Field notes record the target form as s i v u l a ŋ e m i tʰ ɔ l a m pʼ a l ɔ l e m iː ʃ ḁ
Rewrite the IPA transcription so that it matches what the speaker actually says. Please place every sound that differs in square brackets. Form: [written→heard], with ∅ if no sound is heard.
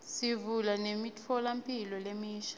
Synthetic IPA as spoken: s i v u l a [ŋ→n] e m i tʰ ɔ l a m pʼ [a→i] l ɔ l e m iː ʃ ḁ